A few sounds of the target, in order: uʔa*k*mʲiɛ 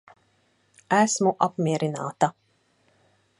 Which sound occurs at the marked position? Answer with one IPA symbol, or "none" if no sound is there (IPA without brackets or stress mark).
p